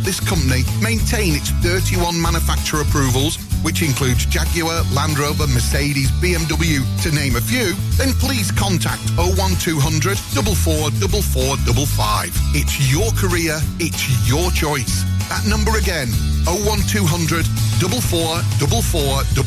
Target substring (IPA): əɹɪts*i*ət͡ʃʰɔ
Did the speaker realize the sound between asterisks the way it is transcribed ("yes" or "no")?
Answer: no